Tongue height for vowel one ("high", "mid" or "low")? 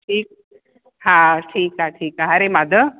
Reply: high